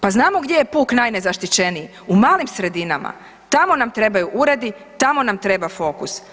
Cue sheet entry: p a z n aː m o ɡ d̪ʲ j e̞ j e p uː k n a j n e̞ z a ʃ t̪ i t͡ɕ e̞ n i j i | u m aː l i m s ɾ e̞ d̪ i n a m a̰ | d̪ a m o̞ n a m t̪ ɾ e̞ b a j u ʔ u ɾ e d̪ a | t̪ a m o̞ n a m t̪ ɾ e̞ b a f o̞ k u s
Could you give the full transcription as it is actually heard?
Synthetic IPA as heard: p a z n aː m o ɡ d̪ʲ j e̞ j e p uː k n a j n e̞ z a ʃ t̪ i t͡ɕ e̞ n i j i | u m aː l i m s ɾ e̞ d̪ i n a m a̰ | t̪ a m o̞ n a m t̪ ɾ e̞ b a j u ʔ u ɾ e d̪ i | t̪ a m o̞ n a m t̪ ɾ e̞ b a f o̞ k u s